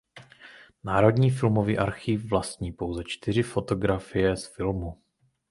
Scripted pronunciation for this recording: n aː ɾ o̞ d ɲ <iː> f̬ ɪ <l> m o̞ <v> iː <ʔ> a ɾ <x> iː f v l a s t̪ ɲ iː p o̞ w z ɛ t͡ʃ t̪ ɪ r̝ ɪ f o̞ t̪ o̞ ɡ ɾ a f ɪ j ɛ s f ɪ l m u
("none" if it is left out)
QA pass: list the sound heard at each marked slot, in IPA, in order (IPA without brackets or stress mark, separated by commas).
iː, l, v, ʔ, x